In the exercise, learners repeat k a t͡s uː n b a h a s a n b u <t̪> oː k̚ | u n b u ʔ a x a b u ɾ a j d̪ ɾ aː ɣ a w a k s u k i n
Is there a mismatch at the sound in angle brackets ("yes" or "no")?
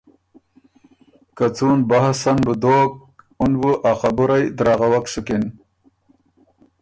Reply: yes